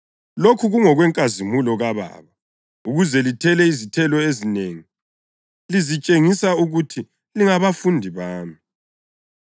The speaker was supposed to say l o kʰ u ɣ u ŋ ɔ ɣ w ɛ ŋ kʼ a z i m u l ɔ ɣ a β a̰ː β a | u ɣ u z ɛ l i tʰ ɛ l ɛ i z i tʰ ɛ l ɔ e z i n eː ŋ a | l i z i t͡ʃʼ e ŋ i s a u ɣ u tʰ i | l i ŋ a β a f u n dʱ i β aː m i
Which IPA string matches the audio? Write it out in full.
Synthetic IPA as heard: l o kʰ u ɣ u ŋ ɔ ɣ w ɛ ŋ kʼ a z i m u l ɔ ɣ a β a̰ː β a | u ɣ u z ɛ l i tʰ ɛ l ɛ i z i tʰ ɛ l ɔ e z i n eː ŋ i | l i z i t͡ʃʼ e ŋ i s a u ɣ u tʰ i | l i ŋ a β a f u n dʱ i β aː m i